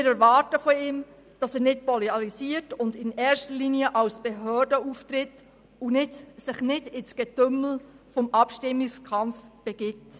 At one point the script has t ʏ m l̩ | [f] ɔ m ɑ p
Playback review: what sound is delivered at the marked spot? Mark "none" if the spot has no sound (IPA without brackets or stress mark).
f